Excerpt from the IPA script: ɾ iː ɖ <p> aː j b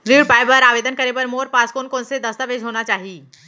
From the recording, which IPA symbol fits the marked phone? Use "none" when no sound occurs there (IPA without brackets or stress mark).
p